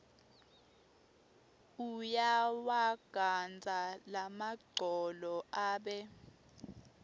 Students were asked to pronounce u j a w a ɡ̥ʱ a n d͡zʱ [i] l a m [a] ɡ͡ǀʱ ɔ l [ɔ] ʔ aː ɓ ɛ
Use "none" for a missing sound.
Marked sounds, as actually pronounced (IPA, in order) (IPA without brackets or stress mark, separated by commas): a, a, ɔ